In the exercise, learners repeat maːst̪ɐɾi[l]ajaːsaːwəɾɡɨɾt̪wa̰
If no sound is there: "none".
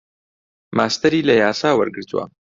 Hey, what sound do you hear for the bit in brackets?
l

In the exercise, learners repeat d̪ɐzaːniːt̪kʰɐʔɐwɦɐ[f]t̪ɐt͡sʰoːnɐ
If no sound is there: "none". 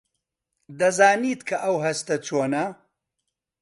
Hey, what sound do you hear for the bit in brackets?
s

